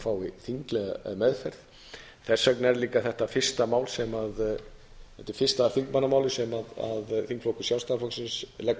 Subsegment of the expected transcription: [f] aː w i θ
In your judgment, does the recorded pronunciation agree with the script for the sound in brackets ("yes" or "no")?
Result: yes